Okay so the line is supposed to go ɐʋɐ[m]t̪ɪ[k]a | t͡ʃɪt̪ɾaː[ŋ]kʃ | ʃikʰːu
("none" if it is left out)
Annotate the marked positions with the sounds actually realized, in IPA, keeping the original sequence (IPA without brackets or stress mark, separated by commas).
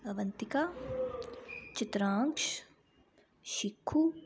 n, k, ŋ